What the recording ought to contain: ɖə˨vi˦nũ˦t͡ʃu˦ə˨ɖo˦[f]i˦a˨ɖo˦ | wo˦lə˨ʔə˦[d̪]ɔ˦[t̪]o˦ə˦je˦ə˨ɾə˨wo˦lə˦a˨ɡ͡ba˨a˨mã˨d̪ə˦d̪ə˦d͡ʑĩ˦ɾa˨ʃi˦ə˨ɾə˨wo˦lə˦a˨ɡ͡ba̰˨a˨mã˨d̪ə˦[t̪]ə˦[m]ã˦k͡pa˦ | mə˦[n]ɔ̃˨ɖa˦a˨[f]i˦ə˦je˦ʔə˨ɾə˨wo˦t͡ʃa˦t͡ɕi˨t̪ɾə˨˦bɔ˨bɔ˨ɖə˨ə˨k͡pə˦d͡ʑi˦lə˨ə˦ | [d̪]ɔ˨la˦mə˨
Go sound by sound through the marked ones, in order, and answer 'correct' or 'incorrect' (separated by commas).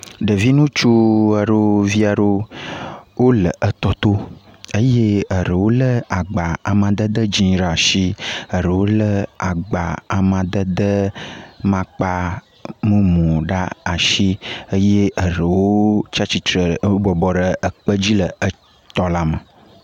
incorrect, incorrect, correct, incorrect, correct, incorrect, incorrect, incorrect